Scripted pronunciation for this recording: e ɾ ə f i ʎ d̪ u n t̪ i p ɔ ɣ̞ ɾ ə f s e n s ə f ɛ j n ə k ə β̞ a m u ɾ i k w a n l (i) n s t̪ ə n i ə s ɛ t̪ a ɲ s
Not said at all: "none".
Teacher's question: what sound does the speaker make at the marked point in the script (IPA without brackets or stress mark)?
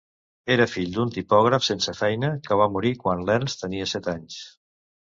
ɛ